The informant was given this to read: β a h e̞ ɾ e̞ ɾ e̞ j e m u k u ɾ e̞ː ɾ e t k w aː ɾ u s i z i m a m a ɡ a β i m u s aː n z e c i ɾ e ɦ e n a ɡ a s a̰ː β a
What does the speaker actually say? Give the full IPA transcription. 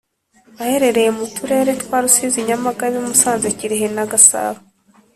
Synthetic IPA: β a h e̞ ɾ e̞ ɾ e̞ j e m u t u ɾ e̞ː ɾ e t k w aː ɾ u s i z i ɲ a m a ɡ a β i m u s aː n z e c i ɾ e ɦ e n a ɡ a s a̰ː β a